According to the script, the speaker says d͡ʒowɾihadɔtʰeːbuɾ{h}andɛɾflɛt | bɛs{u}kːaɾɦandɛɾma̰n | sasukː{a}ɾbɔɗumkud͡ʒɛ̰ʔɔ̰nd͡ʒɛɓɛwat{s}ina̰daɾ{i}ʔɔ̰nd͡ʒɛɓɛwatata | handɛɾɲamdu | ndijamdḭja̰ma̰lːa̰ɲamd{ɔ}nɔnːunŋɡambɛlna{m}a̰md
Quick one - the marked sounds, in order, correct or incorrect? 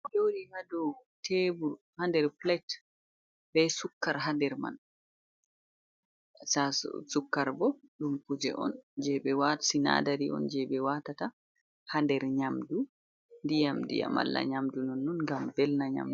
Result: correct, correct, correct, correct, correct, incorrect, incorrect

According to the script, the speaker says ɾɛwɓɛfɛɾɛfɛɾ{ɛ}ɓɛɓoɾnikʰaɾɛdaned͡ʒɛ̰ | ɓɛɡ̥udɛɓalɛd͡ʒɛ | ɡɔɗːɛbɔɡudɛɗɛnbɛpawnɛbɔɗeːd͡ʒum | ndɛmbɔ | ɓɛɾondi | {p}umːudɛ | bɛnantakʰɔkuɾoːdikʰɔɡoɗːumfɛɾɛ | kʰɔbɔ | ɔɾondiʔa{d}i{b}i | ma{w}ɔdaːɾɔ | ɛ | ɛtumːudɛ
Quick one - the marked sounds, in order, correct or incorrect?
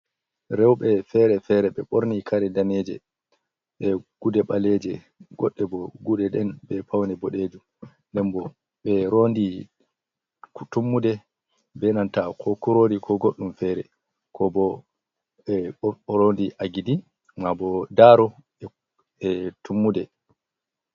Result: correct, incorrect, incorrect, incorrect, incorrect

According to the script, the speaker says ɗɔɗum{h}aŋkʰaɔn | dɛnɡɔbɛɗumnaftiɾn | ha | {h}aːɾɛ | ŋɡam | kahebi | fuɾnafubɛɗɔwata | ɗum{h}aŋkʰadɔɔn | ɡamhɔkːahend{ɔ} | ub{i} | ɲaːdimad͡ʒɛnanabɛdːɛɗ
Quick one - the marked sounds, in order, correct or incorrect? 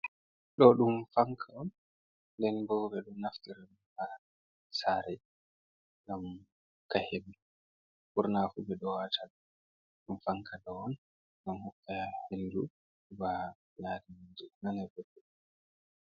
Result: incorrect, incorrect, incorrect, incorrect, incorrect

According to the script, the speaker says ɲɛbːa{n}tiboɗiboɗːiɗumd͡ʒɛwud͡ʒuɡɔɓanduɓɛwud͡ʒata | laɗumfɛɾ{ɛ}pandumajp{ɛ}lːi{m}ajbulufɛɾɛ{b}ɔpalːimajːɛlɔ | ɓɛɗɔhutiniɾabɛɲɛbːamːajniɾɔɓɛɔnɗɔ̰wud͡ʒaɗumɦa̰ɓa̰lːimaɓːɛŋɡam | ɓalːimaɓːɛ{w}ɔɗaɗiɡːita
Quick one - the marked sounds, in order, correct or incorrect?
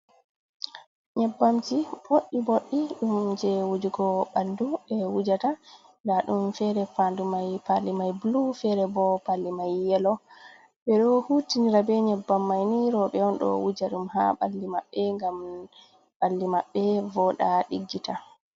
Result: incorrect, correct, incorrect, correct, correct, incorrect

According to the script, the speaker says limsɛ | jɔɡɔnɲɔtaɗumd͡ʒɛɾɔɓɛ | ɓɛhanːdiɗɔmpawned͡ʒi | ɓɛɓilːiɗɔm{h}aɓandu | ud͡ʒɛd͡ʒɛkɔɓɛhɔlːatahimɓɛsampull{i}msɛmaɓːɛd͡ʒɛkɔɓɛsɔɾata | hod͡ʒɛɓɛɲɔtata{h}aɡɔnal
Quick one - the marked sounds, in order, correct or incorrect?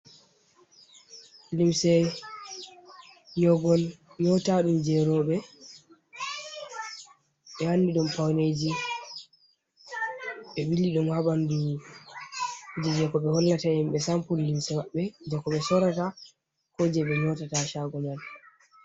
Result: correct, correct, incorrect

